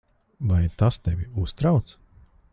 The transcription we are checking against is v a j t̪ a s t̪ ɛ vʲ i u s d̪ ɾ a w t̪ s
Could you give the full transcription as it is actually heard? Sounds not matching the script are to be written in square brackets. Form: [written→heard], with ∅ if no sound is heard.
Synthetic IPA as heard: v a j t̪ a s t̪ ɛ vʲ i u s [d̪→t̪] ɾ a w t̪ s